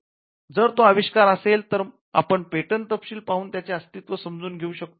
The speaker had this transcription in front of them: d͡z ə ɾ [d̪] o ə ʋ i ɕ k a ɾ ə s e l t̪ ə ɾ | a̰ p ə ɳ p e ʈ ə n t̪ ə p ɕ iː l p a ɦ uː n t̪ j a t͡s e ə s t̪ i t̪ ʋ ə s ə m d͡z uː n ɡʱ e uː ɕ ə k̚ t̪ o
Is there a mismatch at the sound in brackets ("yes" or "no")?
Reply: yes